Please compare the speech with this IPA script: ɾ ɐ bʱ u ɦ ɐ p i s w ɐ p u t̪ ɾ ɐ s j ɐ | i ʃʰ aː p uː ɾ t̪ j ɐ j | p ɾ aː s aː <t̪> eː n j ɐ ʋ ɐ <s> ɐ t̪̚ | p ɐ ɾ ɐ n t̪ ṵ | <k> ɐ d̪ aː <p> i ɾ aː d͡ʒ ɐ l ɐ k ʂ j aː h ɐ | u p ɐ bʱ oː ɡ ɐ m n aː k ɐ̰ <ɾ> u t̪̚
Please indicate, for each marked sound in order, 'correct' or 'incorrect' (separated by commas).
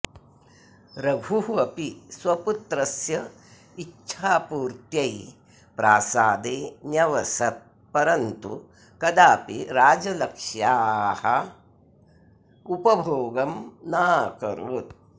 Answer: incorrect, correct, correct, correct, correct